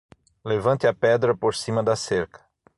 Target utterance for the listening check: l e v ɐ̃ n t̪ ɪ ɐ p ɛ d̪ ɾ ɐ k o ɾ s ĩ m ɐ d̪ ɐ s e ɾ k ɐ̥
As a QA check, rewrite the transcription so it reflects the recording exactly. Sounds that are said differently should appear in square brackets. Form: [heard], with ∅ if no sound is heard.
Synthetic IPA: l e v ɐ̃ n t̪ ɪ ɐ p ɛ d̪ ɾ ɐ [p] o ɾ s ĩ m ɐ d̪ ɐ s e ɾ k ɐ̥